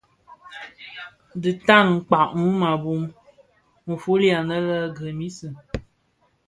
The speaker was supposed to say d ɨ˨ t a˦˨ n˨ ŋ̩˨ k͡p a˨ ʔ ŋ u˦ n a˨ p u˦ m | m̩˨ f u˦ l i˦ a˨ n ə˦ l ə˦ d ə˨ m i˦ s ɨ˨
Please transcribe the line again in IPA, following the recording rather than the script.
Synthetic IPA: d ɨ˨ t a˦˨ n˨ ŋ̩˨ k͡p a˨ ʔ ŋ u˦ m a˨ b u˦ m | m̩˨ f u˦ l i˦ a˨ n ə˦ l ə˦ ɡ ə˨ m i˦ s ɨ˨